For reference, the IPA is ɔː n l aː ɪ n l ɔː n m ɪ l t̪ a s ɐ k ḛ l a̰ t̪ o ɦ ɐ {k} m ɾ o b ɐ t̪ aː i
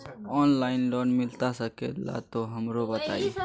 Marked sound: incorrect: none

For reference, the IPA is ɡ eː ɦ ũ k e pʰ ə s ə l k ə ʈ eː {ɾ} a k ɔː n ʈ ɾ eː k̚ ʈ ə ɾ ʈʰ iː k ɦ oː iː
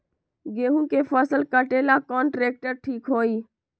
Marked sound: incorrect: l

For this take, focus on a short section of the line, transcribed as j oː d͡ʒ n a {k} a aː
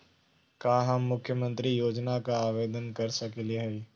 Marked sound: correct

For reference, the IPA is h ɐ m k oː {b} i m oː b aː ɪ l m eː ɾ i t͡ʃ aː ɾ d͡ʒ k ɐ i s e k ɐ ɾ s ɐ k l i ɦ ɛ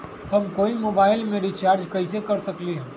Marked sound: incorrect: none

